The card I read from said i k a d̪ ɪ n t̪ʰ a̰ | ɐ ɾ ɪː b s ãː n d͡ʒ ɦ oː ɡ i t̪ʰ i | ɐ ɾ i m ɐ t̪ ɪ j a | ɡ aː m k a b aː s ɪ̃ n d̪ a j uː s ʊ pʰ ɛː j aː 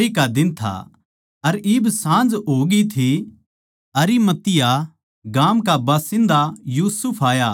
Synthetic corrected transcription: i k a d̪ ɪ n t̪ʰ a̰ | ɐ ɾ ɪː b s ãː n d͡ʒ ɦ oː ɡ i t̪ʰ i | ɐ ɾ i m ɐ t̪ ɪ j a | ɡ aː m k a b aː s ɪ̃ n d̪ a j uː s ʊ pʰ aː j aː